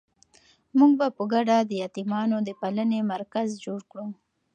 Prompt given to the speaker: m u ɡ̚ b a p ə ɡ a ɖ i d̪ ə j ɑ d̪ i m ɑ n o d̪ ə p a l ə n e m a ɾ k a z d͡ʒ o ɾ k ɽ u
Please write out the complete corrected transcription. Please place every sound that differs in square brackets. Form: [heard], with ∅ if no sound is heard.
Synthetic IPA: m u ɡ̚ b a p ə ɡ a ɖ [a] d̪ ə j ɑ [t̪] i m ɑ n o d̪ ə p a l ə n e m a ɾ k a z d͡ʒ o [ɽ] k ɽ u